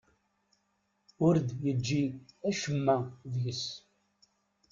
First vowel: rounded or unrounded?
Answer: rounded